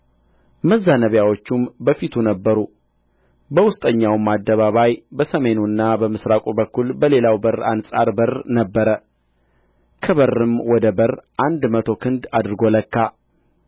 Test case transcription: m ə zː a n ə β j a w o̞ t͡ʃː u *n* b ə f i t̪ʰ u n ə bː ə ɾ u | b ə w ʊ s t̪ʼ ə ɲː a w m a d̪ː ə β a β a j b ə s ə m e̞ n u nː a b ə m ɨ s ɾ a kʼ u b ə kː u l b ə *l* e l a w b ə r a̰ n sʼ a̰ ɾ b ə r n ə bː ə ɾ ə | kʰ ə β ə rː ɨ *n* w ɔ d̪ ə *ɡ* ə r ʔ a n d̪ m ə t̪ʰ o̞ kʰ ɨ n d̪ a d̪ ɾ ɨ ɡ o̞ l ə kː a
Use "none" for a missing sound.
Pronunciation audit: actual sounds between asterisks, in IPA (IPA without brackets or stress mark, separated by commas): m, l, m, b